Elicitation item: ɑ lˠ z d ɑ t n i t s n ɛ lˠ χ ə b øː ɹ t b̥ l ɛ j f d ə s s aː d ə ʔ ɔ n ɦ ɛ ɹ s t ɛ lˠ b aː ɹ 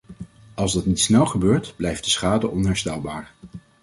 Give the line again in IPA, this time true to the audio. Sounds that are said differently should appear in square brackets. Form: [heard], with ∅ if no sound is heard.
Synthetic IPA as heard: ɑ lˠ z d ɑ t n i t s n ɛ lˠ χ ə b øː ɹ t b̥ l ɛ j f d ə s [χ] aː d ə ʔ ɔ n ɦ ɛ ɹ s t ɛ lˠ b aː ɹ